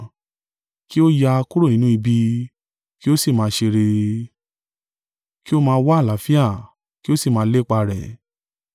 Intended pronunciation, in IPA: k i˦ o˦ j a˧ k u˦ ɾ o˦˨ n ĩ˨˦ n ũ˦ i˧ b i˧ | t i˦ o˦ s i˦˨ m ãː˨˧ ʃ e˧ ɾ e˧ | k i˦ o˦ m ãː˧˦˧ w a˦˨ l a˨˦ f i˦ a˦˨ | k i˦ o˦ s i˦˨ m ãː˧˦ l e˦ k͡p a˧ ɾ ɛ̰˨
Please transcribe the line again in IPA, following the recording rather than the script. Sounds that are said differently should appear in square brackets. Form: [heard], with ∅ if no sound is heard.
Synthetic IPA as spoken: k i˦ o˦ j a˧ k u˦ ɾ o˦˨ n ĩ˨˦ n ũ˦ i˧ b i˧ | [k] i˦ o˦ s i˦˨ m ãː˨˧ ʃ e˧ ɾ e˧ | k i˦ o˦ m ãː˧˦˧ w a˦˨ l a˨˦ f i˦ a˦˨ | k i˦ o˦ s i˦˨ m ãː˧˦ l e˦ k͡p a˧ ɾ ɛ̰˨